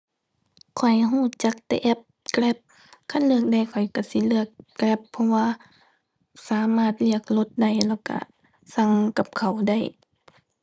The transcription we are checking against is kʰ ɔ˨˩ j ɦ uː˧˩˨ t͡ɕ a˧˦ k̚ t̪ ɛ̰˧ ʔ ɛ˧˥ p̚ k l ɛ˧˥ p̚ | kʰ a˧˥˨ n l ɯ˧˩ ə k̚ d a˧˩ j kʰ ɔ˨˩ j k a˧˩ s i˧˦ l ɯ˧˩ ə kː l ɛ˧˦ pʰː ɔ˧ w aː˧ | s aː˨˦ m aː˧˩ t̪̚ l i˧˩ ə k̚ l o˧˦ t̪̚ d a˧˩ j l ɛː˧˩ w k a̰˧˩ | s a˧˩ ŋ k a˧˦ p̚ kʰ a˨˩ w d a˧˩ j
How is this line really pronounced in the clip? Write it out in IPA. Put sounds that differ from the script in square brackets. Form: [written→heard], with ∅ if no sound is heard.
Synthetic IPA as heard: kʰ ɔ˨˩ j ɦ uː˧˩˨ t͡ɕ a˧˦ k̚ t̪ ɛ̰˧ ʔ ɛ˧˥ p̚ k l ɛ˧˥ p̚ | kʰ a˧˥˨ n l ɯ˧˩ ə k̚ d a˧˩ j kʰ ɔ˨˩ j k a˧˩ s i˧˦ l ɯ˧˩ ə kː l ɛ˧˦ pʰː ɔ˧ w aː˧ | s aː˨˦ m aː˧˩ t̪̚ l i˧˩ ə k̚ l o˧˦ t̪̚ d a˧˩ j l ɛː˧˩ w k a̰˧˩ | s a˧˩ ŋ k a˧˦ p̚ kʰ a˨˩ w d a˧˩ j